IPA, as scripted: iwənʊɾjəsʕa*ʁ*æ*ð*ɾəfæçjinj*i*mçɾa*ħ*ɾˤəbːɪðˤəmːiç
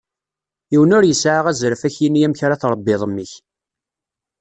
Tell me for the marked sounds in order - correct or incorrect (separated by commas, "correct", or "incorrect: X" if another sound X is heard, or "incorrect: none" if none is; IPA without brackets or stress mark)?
correct, incorrect: z, incorrect: æ, incorrect: θ